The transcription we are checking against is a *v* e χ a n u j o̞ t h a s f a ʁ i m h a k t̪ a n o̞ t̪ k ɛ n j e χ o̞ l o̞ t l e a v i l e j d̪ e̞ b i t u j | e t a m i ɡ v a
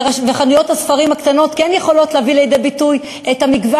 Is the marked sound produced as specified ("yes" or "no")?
yes